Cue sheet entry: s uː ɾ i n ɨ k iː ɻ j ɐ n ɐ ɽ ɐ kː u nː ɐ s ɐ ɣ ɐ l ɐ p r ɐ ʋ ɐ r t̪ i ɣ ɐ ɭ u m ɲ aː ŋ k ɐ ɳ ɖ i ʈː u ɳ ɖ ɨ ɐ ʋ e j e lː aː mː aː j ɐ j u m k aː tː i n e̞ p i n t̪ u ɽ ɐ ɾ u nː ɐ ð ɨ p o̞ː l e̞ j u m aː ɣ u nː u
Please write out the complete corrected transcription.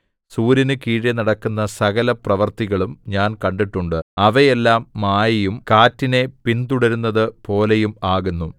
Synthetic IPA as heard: s uː ɾ i n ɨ k iː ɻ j ɐ n ɐ ɽ ɐ kː u nː ɐ s ɐ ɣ ɐ l ɐ p r ɐ ʋ ɐ r t̪ i ɣ ɐ ɭ u m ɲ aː n k ɐ ɳ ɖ i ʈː u ɳ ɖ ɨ ɐ ʋ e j e lː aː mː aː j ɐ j u m k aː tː i n e̞ p i n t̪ u ɽ ɐ ɾ u nː ɐ ð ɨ p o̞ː l e̞ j u m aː ɣ u nː u

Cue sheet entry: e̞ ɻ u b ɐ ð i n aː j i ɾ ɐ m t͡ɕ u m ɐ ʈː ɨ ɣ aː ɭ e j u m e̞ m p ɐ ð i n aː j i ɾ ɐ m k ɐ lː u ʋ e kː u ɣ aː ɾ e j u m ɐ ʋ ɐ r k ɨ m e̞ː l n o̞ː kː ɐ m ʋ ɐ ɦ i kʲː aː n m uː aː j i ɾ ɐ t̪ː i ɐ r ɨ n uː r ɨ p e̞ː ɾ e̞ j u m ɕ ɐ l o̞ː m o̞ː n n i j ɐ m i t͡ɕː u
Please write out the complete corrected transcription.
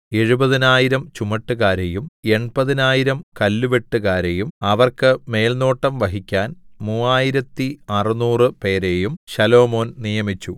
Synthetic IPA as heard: e̞ ɻ u b ɐ ð i n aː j i ɾ ɐ m t͡ɕ u m ɐ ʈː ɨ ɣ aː ɾ e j u m e̞ ɳ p ɐ ð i n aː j i ɾ ɐ m k ɐ lː u ʋ e ʈː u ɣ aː ɾ e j u m ɐ ʋ ɐ r k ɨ m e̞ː l n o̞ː ʈː ɐ m ʋ ɐ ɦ i kʲː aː n m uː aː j i ɾ ɐ t̪ː i ɐ r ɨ n uː r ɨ p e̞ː ɾ e̞ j u m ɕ ɐ l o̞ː m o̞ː n n i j ɐ m i t͡ɕː u

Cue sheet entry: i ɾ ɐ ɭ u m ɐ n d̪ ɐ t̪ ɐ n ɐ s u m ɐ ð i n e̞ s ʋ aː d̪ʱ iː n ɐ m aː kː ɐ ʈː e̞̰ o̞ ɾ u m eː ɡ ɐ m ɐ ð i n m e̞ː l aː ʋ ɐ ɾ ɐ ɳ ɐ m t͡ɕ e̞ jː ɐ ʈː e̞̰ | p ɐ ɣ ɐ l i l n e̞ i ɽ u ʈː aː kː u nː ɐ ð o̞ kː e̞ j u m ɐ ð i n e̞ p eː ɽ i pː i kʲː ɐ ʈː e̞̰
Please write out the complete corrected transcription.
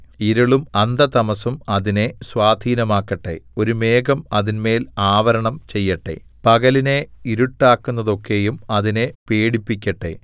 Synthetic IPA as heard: i ɾ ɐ ɭ u m ɐ n d̪ ɐ t̪ ɐ m ɐ s u m ɐ ð i n e̞ s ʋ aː d̪ʱ iː n ɐ m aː kː ɐ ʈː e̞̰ o̞ ɾ u m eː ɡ ɐ m ɐ ð i n m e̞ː l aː ʋ ɐ ɾ ɐ ɳ ɐ m t͡ɕ e̞ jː ɐ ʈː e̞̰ | p ɐ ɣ ɐ l i n e̞ i ɾ u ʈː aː kː u nː ɐ ð o̞ kː e̞ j u m ɐ ð i n e̞ p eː ɽ i pː i kʲː ɐ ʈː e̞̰

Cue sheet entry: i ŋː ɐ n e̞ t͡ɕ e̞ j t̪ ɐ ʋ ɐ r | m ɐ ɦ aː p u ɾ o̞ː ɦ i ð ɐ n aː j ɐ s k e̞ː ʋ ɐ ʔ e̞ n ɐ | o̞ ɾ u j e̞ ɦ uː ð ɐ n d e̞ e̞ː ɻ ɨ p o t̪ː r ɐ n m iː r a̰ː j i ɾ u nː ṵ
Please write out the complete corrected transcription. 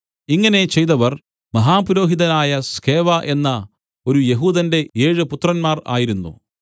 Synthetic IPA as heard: i ŋː ɐ n e̞ t͡ɕ e̞ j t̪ ɐ ʋ ɐ r | m ɐ ɦ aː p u ɾ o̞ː ɦ i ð ɐ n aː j ɐ s k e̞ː ʋ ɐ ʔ e̞ nː ɐ | o̞ ɾ u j e̞ ɦ uː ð ɐ n d e̞ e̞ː ɻ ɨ p u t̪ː r ɐ n m aː r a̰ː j i ɾ u nː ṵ

